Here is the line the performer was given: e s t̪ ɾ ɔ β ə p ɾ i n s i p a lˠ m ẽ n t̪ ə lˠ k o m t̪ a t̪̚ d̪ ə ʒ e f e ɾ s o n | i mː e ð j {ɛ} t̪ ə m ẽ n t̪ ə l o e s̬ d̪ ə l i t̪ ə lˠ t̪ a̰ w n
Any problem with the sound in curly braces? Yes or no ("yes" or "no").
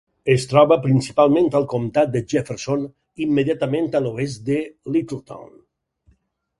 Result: yes